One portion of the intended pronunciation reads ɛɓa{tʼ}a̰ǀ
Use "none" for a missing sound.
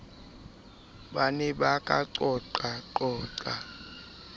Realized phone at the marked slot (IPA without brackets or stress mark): kʼ